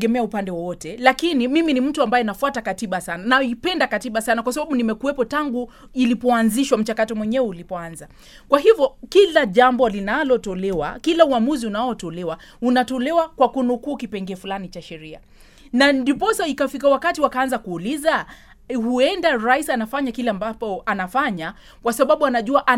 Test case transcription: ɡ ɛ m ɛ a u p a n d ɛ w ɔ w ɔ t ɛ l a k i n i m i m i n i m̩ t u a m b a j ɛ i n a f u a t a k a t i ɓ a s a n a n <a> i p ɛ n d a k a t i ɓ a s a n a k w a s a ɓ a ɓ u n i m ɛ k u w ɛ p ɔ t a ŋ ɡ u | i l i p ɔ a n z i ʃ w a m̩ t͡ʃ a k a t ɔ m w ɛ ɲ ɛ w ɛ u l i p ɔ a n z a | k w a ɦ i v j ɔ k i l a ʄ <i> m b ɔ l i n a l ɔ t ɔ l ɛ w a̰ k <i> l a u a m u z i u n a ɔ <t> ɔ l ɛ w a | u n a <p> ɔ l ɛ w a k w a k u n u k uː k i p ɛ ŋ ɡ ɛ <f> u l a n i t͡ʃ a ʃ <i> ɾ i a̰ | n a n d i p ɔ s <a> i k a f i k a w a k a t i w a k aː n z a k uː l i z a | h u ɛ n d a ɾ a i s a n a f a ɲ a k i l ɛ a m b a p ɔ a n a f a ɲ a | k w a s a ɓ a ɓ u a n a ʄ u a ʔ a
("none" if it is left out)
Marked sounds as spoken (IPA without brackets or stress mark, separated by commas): a, a, i, t, t, f, ɛ, a